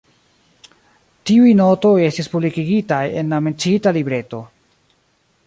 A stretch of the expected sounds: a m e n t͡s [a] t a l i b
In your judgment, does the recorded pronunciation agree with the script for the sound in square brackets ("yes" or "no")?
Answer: no